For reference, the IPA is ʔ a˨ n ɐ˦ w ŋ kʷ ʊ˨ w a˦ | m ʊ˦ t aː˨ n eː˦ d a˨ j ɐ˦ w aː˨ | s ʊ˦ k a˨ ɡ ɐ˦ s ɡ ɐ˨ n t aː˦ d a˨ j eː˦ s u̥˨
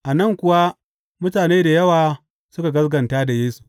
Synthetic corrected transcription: ʔ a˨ n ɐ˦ ŋ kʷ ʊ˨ w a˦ | m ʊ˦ t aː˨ n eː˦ d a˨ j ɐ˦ w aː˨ | s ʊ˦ k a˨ ɡ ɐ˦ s ɡ ɐ˨ n t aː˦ d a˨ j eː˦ s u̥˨